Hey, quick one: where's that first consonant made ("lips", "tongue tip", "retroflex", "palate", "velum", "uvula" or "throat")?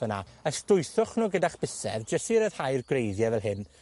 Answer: tongue tip